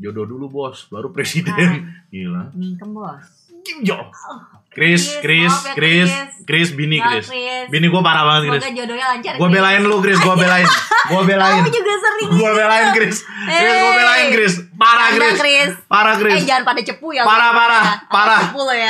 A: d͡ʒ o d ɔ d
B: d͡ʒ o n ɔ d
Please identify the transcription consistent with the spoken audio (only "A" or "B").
A